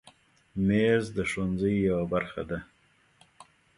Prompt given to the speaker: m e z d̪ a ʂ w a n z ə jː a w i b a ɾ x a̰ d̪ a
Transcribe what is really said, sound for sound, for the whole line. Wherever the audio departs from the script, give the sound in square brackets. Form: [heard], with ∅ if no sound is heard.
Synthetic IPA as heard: m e z d̪ [ə] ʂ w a n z ə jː a w [a] b a ɾ x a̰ d̪ a